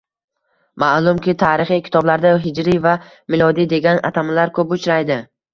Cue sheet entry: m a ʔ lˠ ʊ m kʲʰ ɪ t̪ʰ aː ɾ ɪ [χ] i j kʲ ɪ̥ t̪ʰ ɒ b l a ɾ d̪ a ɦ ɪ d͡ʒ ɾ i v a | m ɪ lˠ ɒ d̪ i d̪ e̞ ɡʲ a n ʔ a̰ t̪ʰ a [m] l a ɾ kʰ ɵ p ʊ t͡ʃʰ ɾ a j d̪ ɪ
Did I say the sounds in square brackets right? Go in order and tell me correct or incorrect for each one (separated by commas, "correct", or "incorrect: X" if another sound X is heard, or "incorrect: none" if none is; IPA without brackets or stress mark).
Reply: correct, correct